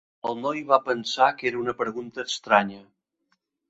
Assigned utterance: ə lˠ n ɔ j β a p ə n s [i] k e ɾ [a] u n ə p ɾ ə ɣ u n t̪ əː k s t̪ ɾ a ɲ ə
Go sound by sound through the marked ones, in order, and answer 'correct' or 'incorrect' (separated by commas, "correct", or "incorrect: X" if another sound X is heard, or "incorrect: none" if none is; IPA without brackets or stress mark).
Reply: incorrect: a, incorrect: ə